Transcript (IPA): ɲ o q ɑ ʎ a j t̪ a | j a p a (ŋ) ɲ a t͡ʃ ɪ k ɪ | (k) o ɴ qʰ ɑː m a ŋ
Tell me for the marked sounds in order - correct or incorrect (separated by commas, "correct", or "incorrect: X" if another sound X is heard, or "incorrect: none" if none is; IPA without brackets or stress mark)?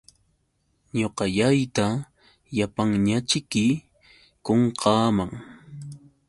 correct, correct